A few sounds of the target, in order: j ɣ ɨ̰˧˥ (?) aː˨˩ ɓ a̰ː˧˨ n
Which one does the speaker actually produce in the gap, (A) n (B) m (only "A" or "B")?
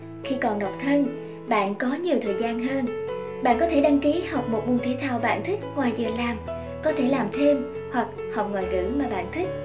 B